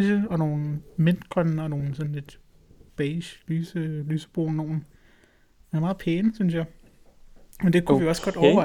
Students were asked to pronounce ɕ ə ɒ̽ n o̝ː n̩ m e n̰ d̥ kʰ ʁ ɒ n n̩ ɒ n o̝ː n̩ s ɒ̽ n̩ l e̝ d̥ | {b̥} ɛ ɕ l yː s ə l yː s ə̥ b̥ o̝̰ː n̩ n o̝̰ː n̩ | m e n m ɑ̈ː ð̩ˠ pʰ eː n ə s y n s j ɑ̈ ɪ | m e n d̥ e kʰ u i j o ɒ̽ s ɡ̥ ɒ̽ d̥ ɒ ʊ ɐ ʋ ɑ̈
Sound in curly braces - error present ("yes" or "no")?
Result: no